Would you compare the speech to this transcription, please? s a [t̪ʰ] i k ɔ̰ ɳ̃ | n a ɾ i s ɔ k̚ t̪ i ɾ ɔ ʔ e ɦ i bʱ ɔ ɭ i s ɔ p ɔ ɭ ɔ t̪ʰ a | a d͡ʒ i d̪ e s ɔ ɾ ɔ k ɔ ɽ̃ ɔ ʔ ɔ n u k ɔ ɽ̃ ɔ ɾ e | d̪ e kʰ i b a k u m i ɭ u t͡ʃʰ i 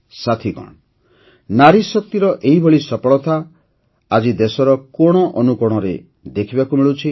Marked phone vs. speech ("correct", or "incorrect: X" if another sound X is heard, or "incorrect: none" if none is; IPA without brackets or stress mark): correct